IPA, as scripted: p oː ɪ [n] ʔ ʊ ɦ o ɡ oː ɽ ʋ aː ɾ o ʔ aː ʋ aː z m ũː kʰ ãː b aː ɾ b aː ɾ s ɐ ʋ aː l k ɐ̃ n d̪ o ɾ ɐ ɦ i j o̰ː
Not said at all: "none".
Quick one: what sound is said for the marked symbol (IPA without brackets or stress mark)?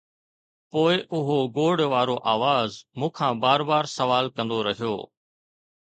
none